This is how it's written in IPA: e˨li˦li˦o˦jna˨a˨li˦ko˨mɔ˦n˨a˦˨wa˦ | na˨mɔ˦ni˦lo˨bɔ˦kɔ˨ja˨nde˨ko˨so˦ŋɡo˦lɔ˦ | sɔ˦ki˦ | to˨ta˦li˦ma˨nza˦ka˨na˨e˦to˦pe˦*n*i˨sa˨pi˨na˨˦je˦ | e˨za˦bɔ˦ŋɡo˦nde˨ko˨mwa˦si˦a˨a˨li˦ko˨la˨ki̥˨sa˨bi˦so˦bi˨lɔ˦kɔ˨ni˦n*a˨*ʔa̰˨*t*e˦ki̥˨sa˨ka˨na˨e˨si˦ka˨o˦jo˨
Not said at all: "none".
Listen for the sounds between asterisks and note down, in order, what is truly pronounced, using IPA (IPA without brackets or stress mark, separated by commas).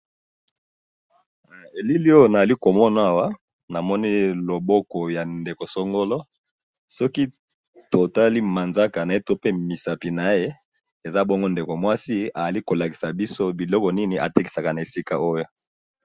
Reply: m, i˨, t